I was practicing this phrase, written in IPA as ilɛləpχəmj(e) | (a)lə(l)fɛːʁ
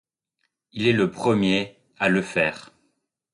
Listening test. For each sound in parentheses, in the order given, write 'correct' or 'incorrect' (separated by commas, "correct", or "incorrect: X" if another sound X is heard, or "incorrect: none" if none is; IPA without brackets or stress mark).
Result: correct, correct, incorrect: none